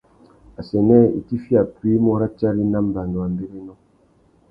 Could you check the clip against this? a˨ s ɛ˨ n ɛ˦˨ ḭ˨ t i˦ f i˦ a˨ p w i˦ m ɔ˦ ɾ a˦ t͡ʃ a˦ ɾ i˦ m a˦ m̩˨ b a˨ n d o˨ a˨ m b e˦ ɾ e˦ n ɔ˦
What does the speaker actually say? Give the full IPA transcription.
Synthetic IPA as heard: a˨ s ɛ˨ n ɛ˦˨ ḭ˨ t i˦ f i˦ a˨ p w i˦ m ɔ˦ ɾ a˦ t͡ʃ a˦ ɾ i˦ n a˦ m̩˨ b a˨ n d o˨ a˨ m b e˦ ɾ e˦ n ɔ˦